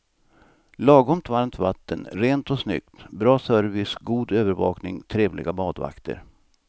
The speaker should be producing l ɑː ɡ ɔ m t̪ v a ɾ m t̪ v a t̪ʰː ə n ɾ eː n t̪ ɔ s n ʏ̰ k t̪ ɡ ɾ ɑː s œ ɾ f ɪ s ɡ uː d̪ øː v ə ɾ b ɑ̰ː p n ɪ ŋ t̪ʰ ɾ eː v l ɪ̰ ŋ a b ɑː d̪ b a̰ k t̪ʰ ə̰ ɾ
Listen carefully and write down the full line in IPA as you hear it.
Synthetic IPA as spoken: l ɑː ɡ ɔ m t̪ v a ɾ m t̪ v a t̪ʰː ə n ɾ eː n t̪ ɔ s n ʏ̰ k t̪ b ɾ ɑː s œ ɾ v ɪ s ɡ uː d̪ øː v ə ɾ v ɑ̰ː k n ɪ ŋ t̪ʰ ɾ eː v l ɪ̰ ɡ a b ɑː d̪ v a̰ k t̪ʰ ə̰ ɾ